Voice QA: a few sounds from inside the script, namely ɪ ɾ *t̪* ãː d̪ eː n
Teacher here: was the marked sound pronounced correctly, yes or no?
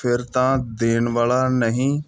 yes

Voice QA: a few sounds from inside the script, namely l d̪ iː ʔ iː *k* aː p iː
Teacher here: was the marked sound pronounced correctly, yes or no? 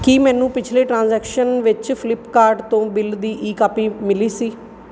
yes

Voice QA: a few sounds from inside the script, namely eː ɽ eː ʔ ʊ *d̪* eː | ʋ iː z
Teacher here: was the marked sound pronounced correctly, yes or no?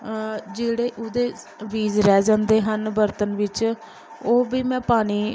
yes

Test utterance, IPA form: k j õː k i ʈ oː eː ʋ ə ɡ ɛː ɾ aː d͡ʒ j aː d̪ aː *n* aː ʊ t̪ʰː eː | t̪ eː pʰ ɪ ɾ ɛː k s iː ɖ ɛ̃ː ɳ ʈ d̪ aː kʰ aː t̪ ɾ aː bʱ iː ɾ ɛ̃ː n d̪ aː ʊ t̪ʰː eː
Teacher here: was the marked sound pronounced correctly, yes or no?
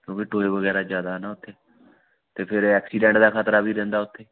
yes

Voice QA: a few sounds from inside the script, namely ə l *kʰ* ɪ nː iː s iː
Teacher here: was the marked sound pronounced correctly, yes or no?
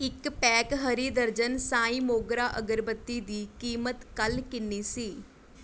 no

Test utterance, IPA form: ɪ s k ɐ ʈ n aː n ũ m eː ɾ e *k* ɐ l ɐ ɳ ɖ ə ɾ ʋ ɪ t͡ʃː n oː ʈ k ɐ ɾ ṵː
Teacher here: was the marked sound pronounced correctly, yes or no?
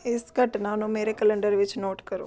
yes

